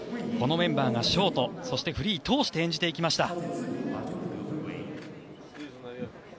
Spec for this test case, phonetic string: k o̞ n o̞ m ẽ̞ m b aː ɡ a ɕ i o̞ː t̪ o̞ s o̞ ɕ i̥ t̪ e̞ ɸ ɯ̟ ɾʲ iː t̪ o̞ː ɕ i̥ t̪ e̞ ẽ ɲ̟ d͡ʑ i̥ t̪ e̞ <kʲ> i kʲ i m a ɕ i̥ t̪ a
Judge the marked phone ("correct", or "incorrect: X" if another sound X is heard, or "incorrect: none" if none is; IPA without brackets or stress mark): incorrect: none